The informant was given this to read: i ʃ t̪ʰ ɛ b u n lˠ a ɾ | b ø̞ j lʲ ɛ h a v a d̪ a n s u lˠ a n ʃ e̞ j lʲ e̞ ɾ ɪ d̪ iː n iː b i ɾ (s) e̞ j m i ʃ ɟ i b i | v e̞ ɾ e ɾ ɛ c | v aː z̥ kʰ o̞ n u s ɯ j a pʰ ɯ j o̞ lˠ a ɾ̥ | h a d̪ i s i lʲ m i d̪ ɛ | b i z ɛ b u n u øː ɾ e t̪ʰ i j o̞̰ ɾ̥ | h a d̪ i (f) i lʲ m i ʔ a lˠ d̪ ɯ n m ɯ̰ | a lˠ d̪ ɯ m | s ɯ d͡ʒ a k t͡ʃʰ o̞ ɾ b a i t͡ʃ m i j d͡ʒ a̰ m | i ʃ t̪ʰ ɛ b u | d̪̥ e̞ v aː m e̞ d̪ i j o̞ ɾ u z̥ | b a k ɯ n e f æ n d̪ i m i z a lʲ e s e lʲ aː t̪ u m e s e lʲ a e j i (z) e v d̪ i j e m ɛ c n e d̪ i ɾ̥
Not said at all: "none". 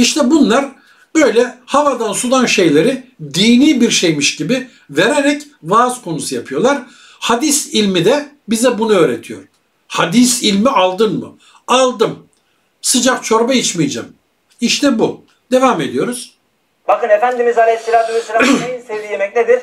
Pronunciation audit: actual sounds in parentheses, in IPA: ʃ, s, s

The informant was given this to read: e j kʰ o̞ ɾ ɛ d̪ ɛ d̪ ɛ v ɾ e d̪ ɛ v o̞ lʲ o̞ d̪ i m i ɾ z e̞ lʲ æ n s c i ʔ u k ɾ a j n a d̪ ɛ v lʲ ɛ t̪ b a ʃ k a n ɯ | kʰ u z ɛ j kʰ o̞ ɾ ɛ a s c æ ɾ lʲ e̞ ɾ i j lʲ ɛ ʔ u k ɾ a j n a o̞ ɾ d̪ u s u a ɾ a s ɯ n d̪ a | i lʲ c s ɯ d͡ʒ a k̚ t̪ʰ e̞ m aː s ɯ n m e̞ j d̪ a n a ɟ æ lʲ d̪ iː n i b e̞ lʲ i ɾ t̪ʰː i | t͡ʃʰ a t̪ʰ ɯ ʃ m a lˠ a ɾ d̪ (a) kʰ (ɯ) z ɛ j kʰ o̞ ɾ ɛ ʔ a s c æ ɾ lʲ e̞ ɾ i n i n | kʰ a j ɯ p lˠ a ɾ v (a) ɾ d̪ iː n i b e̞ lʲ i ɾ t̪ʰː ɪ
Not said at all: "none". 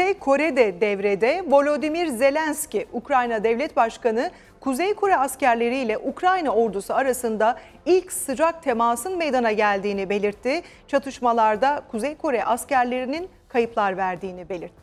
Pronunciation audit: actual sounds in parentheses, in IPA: a, u, æ

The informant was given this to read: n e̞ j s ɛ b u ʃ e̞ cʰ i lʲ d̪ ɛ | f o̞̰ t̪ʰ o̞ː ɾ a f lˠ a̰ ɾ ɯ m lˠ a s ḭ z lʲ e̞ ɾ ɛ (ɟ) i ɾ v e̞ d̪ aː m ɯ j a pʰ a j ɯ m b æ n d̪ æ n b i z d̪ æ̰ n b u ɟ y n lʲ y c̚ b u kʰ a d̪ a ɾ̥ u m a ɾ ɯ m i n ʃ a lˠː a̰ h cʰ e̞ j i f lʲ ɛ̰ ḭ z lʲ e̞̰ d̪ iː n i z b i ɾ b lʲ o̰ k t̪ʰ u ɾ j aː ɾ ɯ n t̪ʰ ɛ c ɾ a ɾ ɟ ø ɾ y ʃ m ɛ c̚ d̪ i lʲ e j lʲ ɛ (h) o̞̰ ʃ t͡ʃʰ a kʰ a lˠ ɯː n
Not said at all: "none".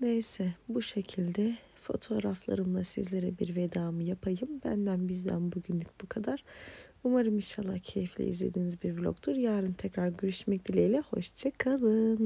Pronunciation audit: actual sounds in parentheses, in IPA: b, h

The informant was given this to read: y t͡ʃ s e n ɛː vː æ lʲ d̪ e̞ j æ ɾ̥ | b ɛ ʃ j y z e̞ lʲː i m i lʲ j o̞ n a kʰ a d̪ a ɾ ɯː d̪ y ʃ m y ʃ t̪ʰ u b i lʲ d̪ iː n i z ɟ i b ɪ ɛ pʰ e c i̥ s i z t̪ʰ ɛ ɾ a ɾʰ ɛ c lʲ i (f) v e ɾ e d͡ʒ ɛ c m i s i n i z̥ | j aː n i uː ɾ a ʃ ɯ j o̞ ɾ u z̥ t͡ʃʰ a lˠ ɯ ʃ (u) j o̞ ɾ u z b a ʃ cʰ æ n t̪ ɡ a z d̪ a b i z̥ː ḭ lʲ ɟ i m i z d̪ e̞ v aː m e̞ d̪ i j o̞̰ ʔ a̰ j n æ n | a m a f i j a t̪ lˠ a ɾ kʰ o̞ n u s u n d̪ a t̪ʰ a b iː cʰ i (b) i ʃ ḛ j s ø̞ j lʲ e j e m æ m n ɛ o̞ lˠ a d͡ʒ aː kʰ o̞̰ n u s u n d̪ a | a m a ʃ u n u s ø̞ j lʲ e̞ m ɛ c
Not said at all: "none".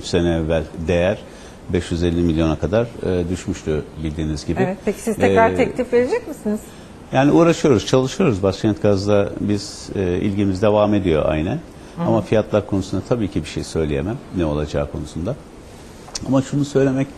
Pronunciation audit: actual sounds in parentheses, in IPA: f, ɯ, b

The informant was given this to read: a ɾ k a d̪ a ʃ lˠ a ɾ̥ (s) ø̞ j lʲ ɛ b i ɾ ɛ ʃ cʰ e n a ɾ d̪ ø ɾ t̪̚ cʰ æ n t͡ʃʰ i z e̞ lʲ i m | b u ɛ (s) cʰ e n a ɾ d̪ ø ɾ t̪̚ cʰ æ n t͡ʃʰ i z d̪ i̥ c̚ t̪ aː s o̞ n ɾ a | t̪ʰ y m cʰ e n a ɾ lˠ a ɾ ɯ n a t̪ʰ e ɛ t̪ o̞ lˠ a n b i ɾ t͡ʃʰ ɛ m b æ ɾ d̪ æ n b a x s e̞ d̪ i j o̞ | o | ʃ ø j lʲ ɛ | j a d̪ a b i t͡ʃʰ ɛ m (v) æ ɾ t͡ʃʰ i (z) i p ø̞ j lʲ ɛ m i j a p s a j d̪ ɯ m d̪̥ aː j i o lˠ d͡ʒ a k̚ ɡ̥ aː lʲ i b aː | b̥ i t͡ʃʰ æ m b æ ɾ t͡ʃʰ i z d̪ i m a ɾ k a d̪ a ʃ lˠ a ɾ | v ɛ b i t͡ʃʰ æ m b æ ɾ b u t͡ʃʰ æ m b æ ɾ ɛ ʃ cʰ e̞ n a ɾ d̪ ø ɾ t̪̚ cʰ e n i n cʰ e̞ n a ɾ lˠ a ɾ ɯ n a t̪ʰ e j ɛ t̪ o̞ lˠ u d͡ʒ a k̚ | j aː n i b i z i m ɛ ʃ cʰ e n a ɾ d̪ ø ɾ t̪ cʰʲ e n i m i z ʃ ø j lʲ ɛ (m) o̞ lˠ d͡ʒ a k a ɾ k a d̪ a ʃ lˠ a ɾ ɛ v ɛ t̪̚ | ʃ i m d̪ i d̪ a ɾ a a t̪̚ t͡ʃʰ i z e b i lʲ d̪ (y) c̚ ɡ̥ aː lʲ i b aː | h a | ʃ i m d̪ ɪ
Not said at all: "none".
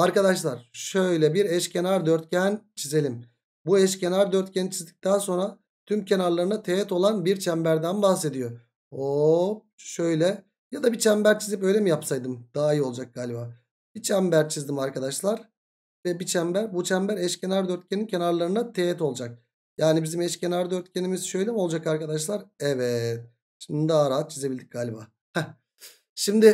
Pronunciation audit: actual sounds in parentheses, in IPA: ʃ, ʃ, b, z, m, i

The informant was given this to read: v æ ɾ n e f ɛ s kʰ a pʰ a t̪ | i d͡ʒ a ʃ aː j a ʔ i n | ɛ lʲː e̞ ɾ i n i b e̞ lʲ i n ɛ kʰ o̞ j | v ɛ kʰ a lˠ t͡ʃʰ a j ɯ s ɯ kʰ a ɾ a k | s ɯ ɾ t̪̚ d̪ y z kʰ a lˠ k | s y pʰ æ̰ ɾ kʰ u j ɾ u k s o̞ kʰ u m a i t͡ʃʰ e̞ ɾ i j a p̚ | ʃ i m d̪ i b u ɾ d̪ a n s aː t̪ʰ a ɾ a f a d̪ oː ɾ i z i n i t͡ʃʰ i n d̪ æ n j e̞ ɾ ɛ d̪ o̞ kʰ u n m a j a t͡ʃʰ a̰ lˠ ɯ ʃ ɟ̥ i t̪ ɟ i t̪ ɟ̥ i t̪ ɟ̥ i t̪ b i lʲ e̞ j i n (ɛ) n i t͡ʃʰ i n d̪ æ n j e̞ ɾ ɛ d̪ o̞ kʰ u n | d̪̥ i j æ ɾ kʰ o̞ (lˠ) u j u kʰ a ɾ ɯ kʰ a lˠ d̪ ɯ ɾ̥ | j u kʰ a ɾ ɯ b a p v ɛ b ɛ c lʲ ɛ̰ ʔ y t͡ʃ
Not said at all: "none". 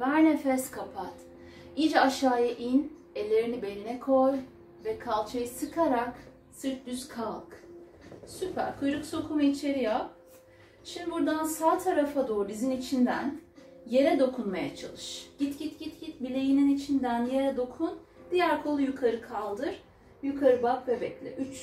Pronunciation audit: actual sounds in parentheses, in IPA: i, lˠ

